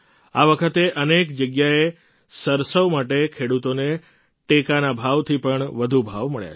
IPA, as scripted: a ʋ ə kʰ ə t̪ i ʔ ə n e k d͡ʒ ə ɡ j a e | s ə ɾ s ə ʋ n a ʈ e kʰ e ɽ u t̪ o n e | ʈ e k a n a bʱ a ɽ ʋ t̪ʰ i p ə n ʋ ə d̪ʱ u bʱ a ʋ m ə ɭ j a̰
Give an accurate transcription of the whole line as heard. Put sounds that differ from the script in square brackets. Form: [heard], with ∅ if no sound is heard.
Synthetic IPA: a ʋ ə kʰ ə t̪ [e] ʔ ə n e k d͡ʒ ə ɡ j a e | s ə ɾ s ə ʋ [m] a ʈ e kʰ e ɽ u t̪ o n e | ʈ e k a n a bʱ a [∅] ʋ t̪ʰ i p ə [ɳ] ʋ ə d̪ʱ u bʱ a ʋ m ə ɭ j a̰